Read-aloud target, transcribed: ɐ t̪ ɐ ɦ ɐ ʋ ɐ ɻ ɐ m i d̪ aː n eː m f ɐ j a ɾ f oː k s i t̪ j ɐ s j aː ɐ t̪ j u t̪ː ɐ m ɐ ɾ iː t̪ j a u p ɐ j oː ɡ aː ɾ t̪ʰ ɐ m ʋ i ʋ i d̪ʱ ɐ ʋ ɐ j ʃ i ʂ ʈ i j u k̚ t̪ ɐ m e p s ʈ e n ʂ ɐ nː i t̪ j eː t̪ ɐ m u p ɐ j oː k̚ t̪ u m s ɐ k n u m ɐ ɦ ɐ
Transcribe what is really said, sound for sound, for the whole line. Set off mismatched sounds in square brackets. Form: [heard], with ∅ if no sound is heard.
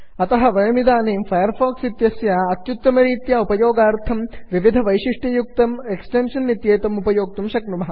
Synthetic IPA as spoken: ɐ t̪ ɐ ɦ ɐ ʋ ɐ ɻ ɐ m i d̪ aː n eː m f ɐ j [ɐ] ɾ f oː k s i t̪ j ɐ s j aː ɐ t̪ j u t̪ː ɐ m ɐ ɾ iː t̪ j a u p ɐ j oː ɡ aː ɾ t̪ʰ ɐ m ʋ i ʋ i d̪ʱ ɐ ʋ ɐ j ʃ i ʂ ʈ i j u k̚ t̪ ɐ m e [k] s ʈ e n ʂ ɐ nː i t̪ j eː t̪ ɐ m u p ɐ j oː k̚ t̪ u m [ʃ] ɐ k n u m ɐ ɦ ɐ